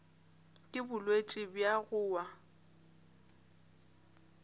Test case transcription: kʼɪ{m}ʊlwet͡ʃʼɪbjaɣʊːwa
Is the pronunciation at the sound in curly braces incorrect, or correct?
incorrect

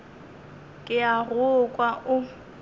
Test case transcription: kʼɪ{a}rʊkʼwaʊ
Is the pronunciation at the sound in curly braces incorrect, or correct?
correct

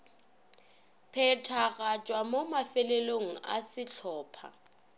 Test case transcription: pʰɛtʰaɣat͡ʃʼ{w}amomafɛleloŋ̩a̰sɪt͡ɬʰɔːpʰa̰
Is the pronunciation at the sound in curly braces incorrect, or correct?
correct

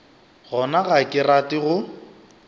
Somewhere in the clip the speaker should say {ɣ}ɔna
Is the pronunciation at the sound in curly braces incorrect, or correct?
correct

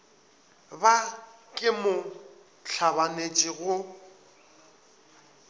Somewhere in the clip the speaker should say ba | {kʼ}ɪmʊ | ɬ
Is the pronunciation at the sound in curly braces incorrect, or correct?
correct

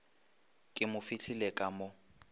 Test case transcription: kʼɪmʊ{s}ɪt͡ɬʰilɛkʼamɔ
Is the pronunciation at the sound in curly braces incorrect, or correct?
incorrect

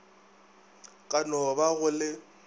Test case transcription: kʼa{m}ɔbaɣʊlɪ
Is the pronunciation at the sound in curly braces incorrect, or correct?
incorrect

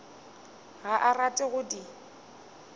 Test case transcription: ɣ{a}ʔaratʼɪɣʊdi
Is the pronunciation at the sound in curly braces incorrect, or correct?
correct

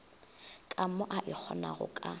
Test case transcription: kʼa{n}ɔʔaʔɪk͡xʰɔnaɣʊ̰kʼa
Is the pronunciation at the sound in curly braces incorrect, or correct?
incorrect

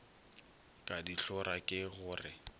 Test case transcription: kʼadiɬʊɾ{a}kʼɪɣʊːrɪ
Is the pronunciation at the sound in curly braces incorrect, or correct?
correct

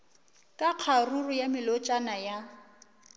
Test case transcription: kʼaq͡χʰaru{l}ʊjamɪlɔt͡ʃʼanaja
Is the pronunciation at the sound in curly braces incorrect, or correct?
incorrect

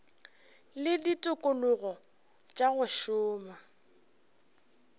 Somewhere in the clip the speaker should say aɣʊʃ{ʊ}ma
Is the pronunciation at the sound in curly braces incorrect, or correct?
incorrect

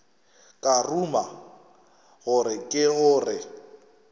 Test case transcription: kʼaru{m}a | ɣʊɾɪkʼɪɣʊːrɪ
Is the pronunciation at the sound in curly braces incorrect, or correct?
correct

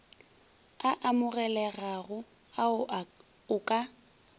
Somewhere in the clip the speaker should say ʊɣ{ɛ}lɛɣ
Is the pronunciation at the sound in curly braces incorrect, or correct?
correct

